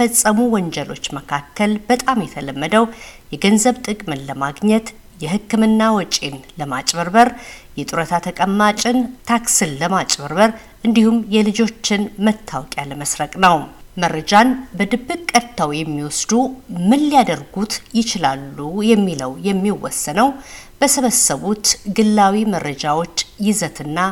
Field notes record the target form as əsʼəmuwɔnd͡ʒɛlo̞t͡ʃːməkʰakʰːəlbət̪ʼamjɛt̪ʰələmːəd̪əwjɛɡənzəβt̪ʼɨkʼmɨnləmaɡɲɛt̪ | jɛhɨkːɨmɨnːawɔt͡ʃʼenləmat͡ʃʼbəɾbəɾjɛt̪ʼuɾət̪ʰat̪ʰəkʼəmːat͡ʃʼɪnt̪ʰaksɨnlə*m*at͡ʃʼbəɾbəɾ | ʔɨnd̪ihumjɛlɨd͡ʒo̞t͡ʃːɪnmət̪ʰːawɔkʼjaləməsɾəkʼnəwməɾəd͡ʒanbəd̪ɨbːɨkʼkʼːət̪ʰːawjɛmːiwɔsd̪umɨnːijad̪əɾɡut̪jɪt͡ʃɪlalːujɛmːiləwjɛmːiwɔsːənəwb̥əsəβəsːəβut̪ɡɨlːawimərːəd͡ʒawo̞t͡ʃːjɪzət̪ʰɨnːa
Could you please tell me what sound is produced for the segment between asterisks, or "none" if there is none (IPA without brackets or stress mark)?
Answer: m